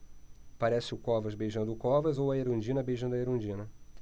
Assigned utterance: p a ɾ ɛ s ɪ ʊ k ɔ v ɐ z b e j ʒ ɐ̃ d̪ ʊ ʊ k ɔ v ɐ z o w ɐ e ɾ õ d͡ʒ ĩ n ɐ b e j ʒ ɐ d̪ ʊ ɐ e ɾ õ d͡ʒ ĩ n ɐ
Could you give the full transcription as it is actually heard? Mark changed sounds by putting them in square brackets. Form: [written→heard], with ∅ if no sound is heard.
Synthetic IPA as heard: p a ɾ ɛ s ɪ ʊ k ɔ v ɐ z b e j ʒ ɐ̃ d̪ ʊ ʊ k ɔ v ɐ z o w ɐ e ɾ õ d͡ʒ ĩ n ɐ b e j ʒ [ɐ→ɐ̃] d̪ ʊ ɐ e ɾ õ d͡ʒ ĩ n ɐ